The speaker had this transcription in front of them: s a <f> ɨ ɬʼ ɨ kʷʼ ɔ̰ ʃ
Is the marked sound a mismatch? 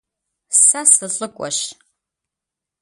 yes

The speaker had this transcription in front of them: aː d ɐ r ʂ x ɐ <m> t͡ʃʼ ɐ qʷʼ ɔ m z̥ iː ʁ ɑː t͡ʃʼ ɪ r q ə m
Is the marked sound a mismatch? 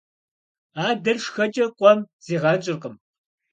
yes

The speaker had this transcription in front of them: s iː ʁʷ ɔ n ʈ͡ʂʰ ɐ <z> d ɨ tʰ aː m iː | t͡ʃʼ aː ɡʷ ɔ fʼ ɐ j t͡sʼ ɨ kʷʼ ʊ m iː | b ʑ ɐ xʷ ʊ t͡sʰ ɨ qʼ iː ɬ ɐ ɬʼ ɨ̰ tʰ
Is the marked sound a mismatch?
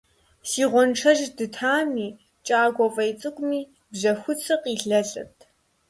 yes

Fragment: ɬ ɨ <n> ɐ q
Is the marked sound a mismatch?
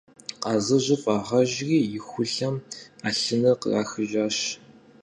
no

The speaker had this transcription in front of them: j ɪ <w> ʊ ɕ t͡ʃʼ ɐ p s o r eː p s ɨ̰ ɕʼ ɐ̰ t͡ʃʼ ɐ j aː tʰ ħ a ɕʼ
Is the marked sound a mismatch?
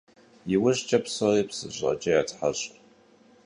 no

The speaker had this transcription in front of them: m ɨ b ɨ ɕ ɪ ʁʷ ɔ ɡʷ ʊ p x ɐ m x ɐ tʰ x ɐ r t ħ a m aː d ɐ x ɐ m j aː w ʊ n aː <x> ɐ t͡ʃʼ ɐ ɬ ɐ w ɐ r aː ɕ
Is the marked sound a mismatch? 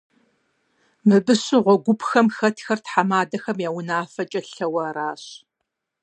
yes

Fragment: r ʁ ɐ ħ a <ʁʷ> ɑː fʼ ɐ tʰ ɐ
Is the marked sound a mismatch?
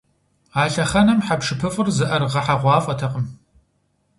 no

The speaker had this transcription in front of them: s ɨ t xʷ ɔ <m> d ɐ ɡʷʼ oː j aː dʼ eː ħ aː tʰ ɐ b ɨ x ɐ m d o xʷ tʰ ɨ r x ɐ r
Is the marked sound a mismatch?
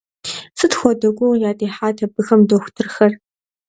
yes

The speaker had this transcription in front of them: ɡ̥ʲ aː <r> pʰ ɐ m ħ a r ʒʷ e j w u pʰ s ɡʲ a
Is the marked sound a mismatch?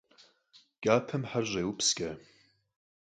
yes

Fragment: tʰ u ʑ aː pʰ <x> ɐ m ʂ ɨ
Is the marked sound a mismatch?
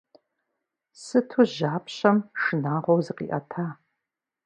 yes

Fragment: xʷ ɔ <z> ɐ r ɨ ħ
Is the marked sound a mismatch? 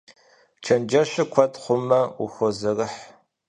no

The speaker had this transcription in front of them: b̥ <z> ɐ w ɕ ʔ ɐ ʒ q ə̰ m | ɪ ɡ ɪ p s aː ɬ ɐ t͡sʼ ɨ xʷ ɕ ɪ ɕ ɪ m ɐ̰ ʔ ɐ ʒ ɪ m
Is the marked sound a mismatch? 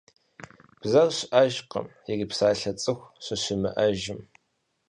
no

